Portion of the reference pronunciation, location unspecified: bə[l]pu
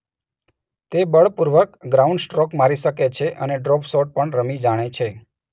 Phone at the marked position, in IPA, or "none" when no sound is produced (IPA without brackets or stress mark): ɭ